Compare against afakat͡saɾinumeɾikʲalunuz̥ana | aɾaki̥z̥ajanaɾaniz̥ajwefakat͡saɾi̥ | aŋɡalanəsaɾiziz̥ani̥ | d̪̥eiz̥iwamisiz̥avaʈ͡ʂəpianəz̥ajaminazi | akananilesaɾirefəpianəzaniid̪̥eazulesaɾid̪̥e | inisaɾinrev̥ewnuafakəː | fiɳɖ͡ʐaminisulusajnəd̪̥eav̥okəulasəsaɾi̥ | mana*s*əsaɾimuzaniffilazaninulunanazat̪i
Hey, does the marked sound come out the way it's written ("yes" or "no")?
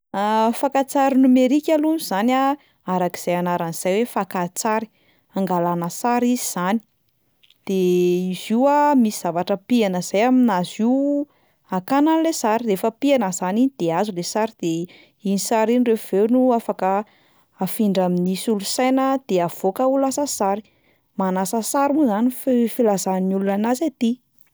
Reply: yes